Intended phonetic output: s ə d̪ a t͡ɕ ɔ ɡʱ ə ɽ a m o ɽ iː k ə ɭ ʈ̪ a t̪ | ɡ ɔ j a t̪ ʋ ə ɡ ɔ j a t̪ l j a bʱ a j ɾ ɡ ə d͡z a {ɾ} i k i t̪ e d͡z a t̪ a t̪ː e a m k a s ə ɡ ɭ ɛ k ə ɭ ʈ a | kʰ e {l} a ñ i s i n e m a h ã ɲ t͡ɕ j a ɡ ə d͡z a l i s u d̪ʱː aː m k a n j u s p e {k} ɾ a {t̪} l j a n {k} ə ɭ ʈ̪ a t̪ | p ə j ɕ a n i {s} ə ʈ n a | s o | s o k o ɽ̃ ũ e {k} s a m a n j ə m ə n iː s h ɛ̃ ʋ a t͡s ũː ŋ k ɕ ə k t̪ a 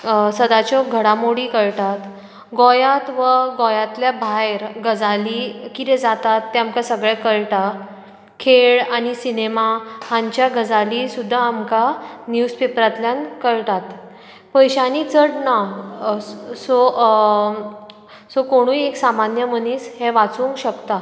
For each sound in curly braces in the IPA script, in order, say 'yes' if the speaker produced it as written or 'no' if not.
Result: no, no, no, yes, yes, no, yes

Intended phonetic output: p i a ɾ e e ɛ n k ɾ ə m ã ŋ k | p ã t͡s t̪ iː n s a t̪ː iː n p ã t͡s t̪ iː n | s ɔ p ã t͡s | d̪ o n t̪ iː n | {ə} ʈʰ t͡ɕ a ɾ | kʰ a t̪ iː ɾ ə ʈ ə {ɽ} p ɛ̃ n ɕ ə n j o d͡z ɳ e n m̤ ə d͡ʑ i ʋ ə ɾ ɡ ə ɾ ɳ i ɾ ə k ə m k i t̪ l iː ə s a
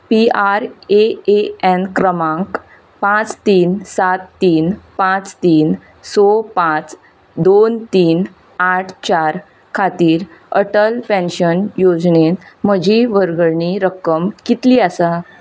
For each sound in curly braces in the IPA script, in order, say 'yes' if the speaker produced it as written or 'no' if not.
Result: no, no

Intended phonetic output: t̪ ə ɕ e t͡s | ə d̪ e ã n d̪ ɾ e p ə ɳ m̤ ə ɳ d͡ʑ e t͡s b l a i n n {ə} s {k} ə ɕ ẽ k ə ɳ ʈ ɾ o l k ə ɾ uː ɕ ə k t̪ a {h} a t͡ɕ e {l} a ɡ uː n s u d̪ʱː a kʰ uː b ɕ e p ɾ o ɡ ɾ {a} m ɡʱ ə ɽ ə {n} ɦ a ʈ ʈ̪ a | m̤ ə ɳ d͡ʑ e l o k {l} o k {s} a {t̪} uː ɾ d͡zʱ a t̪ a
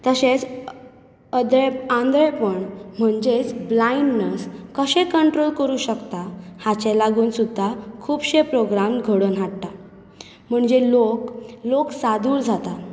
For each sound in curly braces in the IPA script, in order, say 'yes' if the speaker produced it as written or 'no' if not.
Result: yes, yes, yes, yes, yes, yes, yes, yes, no

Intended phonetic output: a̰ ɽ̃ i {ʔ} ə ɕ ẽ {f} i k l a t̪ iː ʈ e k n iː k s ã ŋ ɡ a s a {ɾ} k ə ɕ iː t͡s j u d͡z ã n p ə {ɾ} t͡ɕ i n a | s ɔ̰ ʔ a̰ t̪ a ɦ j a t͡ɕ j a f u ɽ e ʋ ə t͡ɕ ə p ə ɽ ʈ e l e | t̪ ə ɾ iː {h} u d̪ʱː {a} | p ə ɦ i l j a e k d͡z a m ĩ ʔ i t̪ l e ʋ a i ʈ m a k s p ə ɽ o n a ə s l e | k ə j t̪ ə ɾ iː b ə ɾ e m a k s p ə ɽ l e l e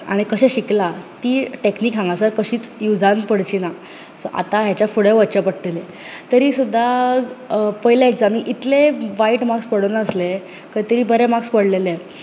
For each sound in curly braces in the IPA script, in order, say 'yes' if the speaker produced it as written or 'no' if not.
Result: no, no, yes, no, no, yes

